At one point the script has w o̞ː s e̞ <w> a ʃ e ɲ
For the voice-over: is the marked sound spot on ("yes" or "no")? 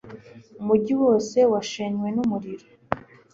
yes